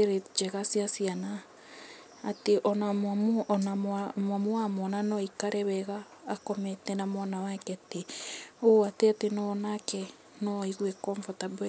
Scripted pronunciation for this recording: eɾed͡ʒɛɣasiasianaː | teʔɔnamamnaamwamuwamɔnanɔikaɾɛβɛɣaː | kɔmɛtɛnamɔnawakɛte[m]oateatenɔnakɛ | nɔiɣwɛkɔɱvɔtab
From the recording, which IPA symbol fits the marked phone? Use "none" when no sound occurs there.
none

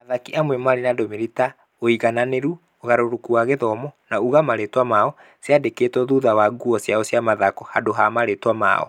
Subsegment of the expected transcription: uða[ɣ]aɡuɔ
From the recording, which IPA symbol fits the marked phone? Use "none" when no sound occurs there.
w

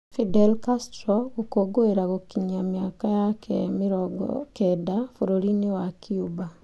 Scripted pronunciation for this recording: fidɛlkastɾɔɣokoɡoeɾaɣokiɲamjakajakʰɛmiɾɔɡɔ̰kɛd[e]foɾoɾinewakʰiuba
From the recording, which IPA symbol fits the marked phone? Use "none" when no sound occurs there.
a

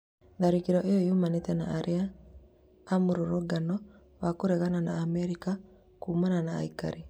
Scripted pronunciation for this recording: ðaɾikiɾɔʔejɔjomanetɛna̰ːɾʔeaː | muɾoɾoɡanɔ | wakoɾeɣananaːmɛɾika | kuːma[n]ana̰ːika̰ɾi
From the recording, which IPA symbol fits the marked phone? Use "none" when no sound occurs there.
n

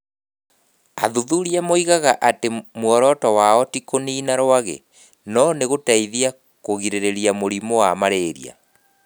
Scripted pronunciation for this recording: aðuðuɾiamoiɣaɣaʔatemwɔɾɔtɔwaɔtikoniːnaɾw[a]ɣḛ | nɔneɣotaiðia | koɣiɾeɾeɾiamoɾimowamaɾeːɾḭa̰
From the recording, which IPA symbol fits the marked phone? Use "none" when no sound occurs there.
a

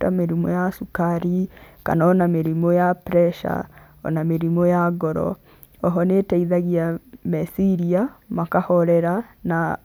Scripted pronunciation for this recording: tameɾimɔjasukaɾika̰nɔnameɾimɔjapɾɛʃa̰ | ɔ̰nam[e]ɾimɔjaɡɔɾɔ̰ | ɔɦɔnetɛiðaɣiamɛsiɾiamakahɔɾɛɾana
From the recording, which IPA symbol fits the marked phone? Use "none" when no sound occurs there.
e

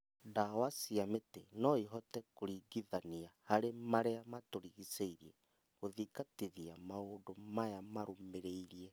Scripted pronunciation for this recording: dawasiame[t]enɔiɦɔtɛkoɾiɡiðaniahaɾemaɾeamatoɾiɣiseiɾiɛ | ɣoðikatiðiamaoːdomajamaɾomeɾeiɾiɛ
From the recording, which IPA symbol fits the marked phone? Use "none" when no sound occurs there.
t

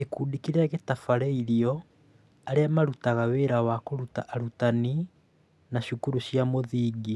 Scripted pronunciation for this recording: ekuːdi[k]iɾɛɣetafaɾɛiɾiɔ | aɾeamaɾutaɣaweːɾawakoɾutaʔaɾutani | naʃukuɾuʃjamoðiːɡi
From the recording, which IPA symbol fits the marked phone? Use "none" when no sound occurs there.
k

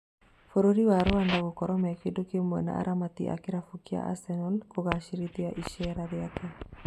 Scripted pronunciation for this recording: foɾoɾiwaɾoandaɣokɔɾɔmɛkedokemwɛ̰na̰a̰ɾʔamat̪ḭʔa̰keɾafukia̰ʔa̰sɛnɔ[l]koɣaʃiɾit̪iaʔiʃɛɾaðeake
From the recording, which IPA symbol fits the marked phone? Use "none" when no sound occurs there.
l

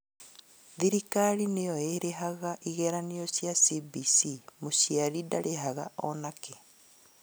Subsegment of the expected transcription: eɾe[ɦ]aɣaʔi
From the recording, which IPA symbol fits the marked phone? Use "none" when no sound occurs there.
ɦ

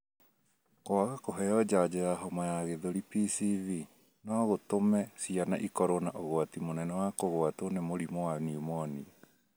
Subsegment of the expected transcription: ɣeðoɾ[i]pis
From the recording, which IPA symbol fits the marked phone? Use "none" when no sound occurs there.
i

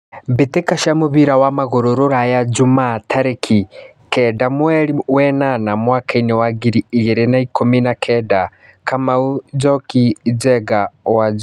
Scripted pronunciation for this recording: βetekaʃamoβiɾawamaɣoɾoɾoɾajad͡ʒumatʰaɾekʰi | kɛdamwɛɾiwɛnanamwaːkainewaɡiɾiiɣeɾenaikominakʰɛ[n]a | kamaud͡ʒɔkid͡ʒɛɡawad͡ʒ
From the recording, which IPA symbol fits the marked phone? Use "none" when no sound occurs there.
d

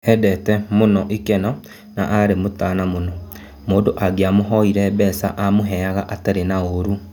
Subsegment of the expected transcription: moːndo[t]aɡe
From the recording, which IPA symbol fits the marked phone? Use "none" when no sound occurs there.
ʔ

